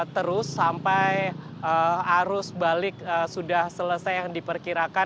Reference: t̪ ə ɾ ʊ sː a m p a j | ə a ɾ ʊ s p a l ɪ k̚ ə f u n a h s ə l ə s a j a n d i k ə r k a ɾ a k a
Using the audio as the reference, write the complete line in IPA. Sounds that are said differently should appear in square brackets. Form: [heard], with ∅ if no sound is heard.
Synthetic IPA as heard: t̪ ə ɾ ʊ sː a m p a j | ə a ɾ ʊ s [b] a l ɪ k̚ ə [s] u [d] a h s ə l ə s a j a [ŋ] d i [p] ə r k [i] ɾ a k a